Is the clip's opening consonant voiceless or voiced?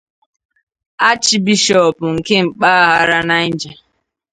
voiceless